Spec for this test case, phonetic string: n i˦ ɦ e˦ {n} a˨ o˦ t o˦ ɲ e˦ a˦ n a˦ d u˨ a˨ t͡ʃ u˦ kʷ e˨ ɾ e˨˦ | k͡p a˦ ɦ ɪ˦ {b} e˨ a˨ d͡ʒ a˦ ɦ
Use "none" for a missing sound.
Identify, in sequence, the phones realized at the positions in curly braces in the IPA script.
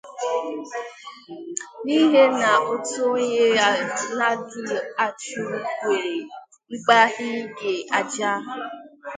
n, ɡ

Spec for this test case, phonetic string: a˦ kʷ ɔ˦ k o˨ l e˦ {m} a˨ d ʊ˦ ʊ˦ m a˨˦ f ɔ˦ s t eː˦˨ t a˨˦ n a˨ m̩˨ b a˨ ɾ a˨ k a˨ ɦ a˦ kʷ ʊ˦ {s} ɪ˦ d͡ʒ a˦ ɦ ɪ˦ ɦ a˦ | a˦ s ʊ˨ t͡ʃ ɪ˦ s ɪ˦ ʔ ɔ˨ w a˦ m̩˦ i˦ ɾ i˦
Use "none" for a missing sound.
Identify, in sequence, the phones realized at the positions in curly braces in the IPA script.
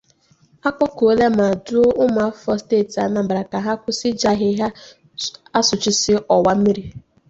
m, s

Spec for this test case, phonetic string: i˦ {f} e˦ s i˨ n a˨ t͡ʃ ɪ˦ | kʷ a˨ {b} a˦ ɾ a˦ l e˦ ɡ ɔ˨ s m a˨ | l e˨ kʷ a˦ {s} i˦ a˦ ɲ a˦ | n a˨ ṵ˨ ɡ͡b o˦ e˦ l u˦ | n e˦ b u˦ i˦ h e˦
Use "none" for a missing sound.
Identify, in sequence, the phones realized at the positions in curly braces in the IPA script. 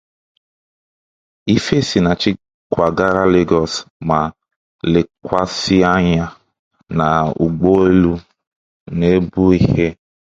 f, ɡ, s

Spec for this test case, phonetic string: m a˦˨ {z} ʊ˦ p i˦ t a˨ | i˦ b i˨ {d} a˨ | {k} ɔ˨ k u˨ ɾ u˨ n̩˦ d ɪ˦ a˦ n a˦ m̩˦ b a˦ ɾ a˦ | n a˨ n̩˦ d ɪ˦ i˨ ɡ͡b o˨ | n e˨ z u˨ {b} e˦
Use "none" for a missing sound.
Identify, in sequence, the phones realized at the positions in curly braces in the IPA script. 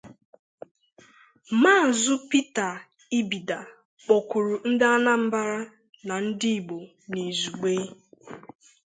z, d, k͡p, ɡ͡b

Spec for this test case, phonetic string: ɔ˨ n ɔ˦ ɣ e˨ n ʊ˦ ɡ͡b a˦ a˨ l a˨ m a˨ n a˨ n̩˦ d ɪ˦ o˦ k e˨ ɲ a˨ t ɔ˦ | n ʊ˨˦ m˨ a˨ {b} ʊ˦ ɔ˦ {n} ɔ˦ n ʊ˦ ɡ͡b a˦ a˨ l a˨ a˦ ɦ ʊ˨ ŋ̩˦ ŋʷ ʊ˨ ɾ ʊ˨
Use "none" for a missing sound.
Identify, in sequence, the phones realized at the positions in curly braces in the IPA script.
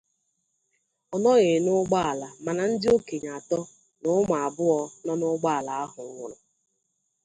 b, n

